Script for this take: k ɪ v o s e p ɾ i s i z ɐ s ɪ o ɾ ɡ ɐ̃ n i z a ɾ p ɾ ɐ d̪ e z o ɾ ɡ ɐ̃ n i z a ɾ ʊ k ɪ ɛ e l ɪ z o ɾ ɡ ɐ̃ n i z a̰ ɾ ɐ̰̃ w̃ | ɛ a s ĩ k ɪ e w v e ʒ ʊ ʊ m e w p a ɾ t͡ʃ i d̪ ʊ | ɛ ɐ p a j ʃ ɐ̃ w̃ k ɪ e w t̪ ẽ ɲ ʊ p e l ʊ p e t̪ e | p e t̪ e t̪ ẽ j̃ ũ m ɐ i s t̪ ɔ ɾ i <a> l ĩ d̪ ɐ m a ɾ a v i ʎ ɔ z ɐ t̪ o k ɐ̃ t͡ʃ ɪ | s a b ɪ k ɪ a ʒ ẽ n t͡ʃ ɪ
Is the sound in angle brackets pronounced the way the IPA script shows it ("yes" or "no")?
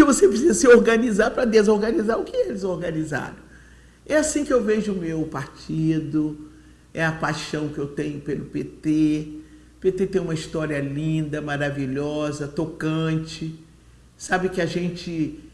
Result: no